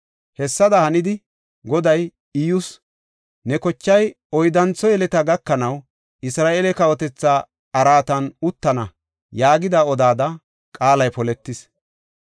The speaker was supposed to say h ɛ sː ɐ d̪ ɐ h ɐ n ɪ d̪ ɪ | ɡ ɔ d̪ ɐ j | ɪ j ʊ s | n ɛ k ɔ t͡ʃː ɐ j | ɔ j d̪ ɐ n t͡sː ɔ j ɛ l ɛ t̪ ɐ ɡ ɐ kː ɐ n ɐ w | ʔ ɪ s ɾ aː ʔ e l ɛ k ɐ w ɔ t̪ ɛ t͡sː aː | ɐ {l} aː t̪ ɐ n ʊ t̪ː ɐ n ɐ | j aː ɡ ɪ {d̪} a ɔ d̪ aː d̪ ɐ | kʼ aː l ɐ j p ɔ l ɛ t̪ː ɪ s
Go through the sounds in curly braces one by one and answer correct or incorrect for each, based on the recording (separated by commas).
incorrect, correct